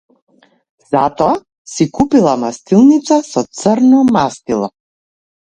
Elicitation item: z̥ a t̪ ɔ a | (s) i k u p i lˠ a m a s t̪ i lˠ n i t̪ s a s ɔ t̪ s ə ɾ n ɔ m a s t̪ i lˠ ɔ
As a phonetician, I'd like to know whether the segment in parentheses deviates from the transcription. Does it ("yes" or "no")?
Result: no